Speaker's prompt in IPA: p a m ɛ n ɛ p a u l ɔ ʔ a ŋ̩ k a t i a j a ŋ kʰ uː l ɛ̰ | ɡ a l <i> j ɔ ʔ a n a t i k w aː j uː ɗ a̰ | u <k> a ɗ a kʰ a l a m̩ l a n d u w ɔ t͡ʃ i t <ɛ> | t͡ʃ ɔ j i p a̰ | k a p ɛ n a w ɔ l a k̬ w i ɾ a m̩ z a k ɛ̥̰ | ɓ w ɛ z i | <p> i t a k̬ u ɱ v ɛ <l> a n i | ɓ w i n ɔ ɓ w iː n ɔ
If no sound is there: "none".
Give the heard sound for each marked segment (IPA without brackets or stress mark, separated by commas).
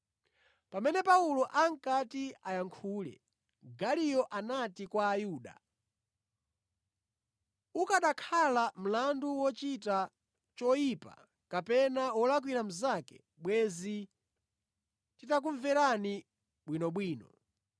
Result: i, k, a, t, ɾ